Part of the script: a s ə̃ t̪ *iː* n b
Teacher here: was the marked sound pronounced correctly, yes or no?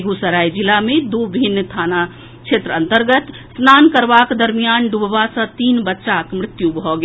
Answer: yes